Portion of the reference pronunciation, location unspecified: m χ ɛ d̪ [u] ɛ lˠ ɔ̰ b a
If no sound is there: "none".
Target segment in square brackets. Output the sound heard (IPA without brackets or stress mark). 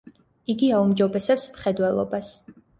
w